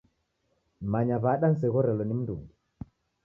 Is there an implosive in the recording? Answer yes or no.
yes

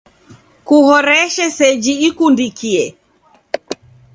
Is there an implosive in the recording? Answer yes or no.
no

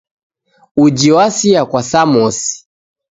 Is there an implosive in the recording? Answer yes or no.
no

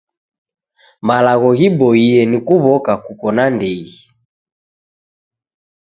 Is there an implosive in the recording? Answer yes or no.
no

